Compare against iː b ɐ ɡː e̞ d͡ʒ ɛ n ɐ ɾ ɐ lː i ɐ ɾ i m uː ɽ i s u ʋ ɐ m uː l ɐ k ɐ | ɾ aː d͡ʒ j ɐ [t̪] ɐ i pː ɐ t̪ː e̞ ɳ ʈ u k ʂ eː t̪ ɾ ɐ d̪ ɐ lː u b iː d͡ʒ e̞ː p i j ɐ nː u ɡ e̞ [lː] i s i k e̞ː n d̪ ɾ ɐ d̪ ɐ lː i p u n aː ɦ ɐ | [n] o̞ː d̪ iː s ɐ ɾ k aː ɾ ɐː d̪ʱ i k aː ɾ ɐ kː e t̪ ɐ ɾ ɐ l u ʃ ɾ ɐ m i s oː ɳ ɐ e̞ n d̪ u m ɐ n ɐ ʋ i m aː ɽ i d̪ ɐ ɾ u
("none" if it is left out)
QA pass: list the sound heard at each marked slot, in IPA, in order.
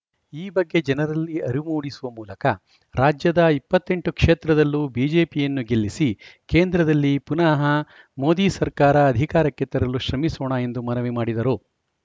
d̪, lː, m

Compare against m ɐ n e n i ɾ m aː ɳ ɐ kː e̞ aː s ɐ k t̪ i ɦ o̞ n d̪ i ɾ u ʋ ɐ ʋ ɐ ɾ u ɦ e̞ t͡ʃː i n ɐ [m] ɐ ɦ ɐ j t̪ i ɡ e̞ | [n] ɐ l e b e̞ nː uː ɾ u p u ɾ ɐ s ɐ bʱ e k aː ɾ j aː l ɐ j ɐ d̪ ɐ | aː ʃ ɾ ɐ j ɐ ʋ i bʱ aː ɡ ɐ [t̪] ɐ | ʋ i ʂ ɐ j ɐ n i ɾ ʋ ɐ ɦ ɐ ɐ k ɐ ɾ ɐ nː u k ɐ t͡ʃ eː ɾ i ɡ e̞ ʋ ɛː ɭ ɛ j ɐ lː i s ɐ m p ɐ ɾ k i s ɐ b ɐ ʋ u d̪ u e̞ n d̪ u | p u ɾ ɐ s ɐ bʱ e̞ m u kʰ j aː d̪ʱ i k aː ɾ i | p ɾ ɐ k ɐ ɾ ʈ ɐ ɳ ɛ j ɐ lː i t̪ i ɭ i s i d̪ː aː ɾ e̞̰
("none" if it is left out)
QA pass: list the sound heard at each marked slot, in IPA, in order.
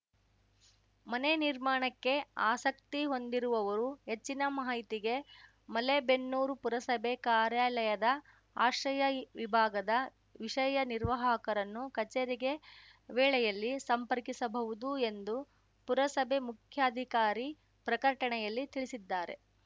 m, m, d̪

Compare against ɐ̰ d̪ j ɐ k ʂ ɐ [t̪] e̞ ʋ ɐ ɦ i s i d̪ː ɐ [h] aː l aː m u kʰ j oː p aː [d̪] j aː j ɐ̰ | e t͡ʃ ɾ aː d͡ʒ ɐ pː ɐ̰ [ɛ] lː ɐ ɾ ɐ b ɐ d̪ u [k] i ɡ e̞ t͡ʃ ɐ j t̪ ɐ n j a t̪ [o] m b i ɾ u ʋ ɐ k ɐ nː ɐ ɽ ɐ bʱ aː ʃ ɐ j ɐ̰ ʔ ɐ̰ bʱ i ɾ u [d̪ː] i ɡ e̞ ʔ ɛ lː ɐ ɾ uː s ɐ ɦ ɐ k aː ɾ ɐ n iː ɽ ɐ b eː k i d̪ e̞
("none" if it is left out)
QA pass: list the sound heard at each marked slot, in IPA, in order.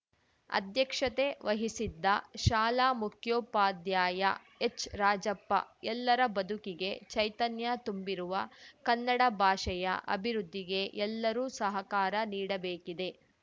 t̪, ʃ, d̪, ɛ, k, u, d̪ː

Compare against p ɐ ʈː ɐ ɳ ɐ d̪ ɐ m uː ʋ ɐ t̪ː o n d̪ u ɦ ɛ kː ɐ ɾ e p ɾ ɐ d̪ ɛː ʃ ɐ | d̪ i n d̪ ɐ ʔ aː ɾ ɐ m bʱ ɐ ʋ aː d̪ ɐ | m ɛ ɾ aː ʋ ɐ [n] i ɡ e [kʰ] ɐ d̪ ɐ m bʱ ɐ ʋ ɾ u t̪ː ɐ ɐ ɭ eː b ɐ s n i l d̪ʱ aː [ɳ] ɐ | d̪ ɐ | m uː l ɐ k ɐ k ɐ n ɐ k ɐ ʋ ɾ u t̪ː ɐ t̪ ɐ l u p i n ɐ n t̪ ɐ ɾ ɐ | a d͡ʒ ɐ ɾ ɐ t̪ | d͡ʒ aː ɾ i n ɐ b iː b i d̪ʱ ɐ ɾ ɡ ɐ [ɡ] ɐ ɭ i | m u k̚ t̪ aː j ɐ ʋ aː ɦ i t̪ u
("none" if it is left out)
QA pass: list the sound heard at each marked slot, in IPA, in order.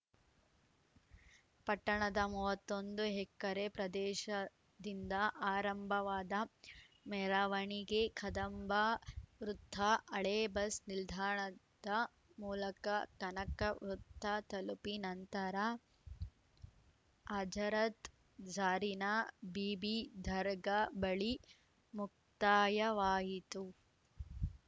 ɳ, kʰ, ɳ, b

